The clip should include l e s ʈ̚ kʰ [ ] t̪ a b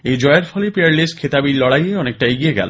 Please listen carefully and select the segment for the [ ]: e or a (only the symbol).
e